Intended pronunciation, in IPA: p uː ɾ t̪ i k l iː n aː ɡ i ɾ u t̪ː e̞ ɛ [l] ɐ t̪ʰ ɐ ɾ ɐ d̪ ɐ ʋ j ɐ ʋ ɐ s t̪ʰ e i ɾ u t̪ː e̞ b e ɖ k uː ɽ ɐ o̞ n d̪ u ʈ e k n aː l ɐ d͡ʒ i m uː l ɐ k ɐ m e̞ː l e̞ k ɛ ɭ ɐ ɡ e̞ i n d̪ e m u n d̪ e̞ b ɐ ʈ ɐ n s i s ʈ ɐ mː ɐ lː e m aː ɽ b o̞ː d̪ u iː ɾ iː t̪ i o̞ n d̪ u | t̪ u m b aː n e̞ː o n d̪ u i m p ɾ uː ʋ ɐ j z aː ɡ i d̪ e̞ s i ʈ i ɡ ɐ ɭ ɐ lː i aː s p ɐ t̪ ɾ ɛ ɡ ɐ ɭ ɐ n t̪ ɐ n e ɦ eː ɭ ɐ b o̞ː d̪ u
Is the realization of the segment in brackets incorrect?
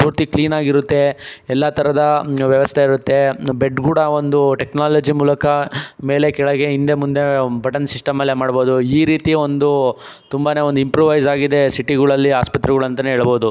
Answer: yes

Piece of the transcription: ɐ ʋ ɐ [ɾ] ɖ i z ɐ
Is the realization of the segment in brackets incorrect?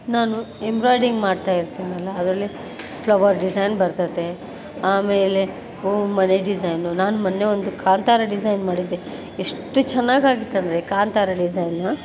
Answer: no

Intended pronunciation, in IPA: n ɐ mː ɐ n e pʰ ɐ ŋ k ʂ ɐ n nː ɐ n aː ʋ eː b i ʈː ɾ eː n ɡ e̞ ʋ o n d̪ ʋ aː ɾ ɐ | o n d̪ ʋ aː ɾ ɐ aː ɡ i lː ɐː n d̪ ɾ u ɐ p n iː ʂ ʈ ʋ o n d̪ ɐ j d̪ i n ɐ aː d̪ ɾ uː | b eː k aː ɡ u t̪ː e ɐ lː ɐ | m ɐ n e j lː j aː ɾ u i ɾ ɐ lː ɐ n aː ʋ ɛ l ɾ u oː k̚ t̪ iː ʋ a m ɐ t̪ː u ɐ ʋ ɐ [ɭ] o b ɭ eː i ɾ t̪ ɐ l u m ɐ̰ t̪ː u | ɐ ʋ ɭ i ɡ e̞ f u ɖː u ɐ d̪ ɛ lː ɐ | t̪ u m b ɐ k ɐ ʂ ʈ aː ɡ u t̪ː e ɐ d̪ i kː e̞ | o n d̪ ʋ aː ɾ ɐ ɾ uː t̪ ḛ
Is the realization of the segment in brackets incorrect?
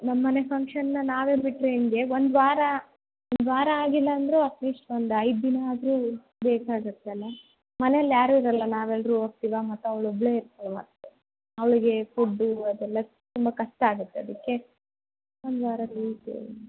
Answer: no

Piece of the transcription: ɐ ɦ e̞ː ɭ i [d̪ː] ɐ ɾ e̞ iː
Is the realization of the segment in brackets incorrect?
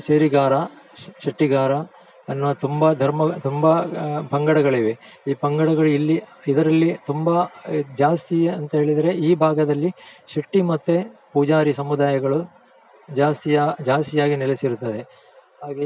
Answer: yes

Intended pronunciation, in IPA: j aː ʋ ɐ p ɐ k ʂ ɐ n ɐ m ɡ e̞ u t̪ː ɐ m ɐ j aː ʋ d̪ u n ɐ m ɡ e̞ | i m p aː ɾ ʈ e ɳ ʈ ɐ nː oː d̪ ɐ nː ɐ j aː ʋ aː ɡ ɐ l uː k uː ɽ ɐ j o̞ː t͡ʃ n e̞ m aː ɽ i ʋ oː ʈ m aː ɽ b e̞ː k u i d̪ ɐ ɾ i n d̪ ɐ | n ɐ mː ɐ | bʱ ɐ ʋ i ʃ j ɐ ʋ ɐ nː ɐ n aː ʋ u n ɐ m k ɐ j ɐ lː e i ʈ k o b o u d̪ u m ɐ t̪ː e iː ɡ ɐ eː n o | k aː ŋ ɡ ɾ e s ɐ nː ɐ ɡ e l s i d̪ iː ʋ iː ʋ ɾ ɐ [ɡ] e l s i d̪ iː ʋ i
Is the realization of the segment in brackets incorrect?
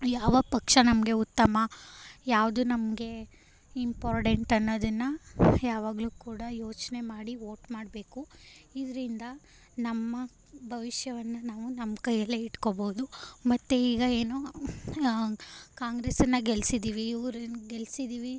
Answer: no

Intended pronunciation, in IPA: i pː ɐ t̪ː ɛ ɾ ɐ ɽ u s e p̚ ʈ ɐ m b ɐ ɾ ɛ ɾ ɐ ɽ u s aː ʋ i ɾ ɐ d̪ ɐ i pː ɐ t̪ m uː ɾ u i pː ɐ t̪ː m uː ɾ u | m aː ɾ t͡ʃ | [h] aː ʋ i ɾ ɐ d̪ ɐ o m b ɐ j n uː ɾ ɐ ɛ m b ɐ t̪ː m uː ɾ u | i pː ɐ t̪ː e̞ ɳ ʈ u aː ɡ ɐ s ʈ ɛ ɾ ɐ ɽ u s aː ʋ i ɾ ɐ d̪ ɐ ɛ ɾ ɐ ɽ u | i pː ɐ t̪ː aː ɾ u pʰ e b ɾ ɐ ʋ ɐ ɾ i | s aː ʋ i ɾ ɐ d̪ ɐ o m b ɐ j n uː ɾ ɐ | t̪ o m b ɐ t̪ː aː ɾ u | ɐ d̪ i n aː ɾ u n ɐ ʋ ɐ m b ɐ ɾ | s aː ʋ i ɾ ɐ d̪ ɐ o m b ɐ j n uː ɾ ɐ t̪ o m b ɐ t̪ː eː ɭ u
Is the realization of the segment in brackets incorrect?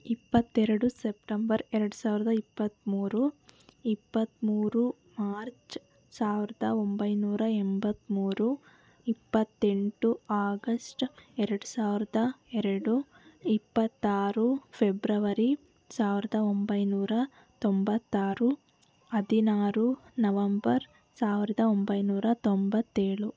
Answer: yes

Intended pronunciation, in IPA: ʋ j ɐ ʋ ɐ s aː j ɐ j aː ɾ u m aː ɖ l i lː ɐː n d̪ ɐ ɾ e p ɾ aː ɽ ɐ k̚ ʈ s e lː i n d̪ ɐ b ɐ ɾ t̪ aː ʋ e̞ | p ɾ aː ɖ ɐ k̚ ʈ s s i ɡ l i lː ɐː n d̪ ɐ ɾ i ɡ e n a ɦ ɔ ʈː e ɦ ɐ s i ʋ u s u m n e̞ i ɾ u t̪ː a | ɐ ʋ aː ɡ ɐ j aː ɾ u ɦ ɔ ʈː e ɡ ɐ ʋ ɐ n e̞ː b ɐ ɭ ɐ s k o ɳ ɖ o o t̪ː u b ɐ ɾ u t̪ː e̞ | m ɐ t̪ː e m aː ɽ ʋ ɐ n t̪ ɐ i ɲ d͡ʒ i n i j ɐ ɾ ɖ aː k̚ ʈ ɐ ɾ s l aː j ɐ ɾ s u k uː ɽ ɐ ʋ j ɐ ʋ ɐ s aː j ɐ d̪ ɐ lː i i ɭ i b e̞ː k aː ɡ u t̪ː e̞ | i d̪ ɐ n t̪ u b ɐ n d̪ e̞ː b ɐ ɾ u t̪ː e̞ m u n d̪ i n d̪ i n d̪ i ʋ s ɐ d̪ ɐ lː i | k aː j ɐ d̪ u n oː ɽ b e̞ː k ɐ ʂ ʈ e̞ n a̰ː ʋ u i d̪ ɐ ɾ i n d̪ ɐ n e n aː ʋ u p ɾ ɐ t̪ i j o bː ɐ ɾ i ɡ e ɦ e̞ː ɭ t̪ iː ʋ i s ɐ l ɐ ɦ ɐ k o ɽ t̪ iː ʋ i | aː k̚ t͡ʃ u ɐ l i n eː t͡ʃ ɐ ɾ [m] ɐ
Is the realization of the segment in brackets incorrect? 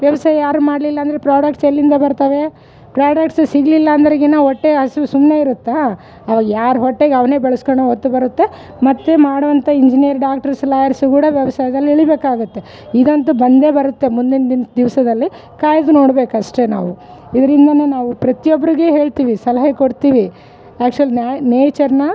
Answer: yes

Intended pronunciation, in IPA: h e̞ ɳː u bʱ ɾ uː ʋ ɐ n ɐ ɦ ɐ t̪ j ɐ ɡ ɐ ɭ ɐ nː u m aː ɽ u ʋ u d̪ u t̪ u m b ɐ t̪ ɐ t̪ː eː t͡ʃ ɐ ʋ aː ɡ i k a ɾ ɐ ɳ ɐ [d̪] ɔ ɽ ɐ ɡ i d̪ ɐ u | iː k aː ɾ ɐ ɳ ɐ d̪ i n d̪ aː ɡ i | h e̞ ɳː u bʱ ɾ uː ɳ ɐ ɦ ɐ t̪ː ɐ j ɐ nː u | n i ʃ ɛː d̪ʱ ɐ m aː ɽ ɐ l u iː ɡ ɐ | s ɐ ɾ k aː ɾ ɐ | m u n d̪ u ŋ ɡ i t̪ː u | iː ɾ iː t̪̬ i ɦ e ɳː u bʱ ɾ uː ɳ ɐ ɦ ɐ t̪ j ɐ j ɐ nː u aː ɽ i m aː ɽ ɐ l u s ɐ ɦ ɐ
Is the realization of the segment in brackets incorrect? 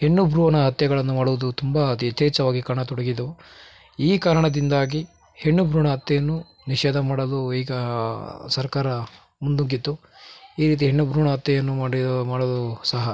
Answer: yes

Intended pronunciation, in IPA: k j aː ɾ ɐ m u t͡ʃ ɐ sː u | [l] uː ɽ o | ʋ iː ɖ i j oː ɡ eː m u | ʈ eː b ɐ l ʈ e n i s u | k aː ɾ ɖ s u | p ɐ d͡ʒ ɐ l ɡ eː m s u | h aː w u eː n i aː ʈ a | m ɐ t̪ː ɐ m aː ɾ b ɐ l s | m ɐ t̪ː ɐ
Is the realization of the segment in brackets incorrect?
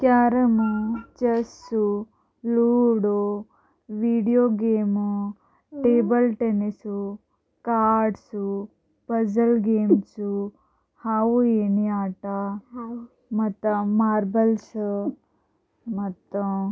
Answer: no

